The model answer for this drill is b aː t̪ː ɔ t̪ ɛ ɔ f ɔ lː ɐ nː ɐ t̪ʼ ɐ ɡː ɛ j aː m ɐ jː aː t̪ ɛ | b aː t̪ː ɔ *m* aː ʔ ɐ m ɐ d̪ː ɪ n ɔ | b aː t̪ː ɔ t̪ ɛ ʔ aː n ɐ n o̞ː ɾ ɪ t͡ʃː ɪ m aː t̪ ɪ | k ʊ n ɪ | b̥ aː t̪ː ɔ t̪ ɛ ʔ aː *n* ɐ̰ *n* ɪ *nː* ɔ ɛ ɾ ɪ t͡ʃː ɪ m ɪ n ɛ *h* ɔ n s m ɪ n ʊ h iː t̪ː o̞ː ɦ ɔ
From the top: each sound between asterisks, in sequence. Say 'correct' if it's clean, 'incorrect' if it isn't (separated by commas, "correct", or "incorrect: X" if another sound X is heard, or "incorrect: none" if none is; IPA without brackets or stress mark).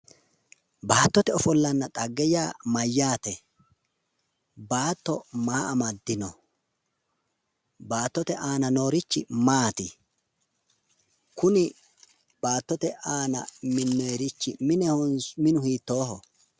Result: correct, correct, incorrect: m, correct, correct